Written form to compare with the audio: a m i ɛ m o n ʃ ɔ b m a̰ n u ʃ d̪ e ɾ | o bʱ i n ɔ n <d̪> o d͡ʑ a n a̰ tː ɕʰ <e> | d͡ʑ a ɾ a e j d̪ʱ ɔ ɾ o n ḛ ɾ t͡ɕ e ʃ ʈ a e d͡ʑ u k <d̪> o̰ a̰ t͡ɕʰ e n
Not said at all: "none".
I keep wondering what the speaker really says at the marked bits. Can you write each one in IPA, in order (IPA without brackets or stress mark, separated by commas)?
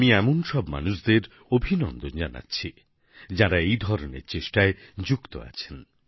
d̪, i, t̪